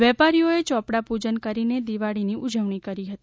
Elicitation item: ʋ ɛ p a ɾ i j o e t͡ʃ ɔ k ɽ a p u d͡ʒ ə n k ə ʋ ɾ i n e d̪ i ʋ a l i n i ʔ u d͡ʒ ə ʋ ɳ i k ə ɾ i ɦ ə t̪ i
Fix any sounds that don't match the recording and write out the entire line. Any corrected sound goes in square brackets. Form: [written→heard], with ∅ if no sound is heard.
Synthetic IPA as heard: ʋ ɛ p a ɾ i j o e t͡ʃ ɔ [k→p] ɽ a p u d͡ʒ ə n k ə [ʋ→∅] ɾ i n e d̪ i ʋ a [l→ɽ] i n i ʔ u d͡ʒ ə ʋ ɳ i k ə ɾ i ɦ ə t̪ i

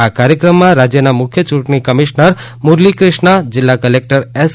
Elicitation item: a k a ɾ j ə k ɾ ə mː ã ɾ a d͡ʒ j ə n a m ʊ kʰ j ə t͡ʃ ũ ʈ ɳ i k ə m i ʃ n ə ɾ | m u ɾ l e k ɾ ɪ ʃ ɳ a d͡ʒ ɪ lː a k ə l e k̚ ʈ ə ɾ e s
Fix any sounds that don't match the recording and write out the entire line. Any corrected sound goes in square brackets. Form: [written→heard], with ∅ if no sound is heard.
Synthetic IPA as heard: a k a ɾ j ə k ɾ ə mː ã ɾ a d͡ʒ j ə n a m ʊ kʰ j ə t͡ʃ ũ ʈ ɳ i k ə m i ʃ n ə ɾ | m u ɾ l [e→i] k ɾ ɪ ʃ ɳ a d͡ʒ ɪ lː a k ə l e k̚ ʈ ə ɾ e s

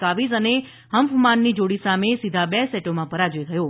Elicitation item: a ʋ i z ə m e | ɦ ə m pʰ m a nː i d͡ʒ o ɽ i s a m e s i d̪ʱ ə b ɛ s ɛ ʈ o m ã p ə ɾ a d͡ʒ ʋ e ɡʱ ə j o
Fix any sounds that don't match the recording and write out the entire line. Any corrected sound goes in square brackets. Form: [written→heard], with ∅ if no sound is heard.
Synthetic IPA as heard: a ʋ i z ə [m→n] e | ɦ ə m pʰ m a nː i d͡ʒ o ɽ i s a m e s i d̪ʱ [ə→a] b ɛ s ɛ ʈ o m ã p ə ɾ a d͡ʒ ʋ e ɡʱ ə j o

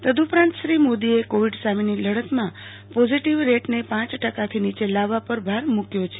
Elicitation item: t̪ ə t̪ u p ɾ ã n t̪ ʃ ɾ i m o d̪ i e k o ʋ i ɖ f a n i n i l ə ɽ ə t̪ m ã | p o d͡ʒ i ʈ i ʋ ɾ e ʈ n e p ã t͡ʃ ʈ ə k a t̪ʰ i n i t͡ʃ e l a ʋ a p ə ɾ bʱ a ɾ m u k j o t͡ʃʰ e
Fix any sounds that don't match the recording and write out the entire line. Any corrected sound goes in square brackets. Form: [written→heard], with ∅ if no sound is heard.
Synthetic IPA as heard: t̪ ə [t̪→d̪] u p ɾ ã n t̪ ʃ ɾ i m o d̪ i e k o ʋ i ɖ [f→s] a [n→m] i n i l ə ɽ ə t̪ m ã | p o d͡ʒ i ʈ i ʋ ɾ e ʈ n e p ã t͡ʃ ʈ ə k a t̪ʰ i n i t͡ʃ e l a ʋ a p ə ɾ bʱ a ɾ m u k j o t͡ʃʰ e

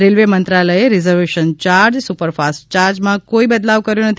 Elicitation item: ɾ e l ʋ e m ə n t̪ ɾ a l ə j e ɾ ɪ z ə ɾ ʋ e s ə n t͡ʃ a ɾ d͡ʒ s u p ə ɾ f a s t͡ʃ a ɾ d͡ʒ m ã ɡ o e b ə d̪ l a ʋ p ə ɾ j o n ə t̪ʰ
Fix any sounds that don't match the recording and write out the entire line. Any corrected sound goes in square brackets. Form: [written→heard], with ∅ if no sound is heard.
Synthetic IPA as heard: ɾ e l ʋ e m ə n t̪ ɾ a l ə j e ɾ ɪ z ə ɾ ʋ e [s→ʃ] ə n t͡ʃ a ɾ d͡ʒ s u p ə ɾ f a s t͡ʃ a ɾ d͡ʒ m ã [ɡ→k] o [e→i] b ə d̪ l a ʋ [p→k] ə ɾ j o n ə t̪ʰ

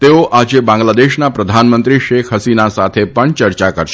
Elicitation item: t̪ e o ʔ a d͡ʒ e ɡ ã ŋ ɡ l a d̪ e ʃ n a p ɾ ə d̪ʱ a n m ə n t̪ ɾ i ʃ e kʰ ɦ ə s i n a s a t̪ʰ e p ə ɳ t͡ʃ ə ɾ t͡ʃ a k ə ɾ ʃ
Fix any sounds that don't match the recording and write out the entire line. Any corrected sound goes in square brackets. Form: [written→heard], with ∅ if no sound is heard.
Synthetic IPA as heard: t̪ e o ʔ a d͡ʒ e [ɡ→b] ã ŋ ɡ l a d̪ e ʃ n a p ɾ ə d̪ʱ a n m ə n t̪ ɾ i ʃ e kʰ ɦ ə s i n a s a t̪ʰ e p ə ɳ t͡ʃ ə ɾ t͡ʃ a k ə ɾ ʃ

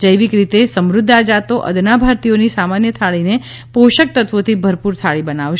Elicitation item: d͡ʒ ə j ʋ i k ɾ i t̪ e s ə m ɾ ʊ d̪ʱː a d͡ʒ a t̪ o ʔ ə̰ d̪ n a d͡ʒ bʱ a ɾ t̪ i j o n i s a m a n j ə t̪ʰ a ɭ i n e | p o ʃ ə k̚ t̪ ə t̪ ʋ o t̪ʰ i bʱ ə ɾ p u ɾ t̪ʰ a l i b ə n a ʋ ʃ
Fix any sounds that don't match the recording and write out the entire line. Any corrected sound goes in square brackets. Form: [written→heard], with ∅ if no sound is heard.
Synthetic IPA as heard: d͡ʒ ə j ʋ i k ɾ i t̪ e s ə m ɾ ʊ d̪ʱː a d͡ʒ a t̪ o ʔ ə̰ d̪ n a [d͡ʒ→∅] bʱ a ɾ t̪ i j o n i s a m a n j ə t̪ʰ a ɭ i n e | p o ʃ ə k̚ t̪ ə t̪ ʋ o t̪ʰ i bʱ ə ɾ p u ɾ t̪ʰ a [l→ɭ] i b ə n a ʋ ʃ

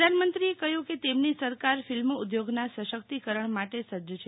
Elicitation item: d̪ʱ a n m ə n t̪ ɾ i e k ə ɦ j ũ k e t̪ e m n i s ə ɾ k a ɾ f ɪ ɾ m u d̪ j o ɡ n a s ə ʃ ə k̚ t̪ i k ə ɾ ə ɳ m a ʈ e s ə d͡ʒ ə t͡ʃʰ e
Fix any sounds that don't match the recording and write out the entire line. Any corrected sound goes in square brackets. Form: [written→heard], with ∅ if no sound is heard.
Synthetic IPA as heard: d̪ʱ a n m ə n t̪ ɾ i e k ə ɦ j ũ k e t̪ e m n i s ə ɾ k a ɾ f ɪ [ɾ→l] m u d̪ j o ɡ n a s ə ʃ ə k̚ t̪ i k ə ɾ ə ɳ m a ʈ e s ə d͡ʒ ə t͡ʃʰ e

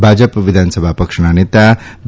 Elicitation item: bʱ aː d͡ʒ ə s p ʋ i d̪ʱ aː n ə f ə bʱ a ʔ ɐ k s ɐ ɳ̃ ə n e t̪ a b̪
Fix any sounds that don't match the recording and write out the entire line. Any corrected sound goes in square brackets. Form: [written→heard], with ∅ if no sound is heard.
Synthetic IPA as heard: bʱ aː d͡ʒ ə [s→∅] p ʋ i d̪ʱ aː n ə [f→s] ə bʱ a [ʔ→p] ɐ k [s→ʂ] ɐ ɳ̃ [ə→a] n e t̪ a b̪

